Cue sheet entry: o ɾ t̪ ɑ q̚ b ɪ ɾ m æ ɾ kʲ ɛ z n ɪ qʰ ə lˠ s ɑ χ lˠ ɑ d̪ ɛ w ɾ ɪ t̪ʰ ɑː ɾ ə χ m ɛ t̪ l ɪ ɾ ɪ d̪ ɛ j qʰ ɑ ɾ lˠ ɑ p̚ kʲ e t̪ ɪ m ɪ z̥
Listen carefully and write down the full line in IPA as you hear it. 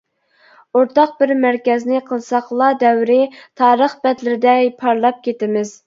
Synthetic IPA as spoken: o ɾ t̪ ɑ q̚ b ɪ ɾ m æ ɾ kʲ ɛ z n ɪ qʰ ə lˠ s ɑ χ lˠ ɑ d̪ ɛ w ɾ ɪ t̪ʰ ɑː ɾ ə χ b ɛ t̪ l ɪ ɾ ɪ d̪ ɛ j pʰ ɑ ɾ lˠ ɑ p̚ kʲ e t̪ ɪ m ɪ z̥